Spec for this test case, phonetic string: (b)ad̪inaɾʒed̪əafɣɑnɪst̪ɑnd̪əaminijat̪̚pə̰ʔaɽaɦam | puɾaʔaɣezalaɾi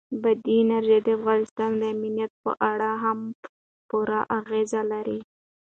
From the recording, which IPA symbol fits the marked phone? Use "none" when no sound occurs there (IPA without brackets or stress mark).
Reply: b